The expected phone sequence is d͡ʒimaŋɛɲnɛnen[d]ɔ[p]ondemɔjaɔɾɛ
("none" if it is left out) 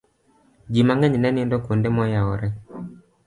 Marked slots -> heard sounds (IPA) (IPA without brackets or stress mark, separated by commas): d, k